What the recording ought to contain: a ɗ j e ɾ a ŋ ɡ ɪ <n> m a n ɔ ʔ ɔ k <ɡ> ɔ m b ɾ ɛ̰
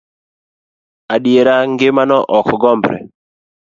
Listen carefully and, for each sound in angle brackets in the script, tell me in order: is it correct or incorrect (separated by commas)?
incorrect, correct